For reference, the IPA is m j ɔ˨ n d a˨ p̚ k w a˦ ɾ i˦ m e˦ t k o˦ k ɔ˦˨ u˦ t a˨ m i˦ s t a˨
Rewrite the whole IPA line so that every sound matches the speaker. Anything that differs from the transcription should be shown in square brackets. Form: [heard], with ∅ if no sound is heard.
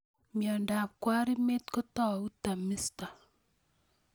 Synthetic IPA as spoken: m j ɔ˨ n d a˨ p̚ k w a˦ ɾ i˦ m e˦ t k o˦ [t] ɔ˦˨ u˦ t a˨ m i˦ s t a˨